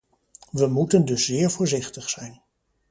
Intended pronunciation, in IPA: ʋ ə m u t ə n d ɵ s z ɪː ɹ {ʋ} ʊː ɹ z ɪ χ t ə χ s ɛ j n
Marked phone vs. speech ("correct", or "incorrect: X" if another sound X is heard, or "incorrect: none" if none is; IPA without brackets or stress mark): incorrect: v